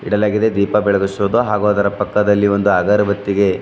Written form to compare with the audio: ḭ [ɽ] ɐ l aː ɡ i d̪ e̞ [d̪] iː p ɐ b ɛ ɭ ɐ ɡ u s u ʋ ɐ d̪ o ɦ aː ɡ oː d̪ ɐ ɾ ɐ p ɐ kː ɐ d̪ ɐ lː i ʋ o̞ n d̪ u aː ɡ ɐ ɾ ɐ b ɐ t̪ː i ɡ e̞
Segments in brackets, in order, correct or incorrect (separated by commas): correct, correct